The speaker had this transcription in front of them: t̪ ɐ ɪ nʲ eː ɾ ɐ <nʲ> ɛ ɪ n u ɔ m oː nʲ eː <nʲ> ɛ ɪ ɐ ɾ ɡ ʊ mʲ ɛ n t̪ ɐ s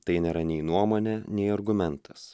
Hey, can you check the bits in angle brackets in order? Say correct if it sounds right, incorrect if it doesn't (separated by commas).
correct, correct